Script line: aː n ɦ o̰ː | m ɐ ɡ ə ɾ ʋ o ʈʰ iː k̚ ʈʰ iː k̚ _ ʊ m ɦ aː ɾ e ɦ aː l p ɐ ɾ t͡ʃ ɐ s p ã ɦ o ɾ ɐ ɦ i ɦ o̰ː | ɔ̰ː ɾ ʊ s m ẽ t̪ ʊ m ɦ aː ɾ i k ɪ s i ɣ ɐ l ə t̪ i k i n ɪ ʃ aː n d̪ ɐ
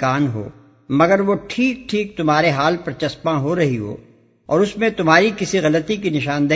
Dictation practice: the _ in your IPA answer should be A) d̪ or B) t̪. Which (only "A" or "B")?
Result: B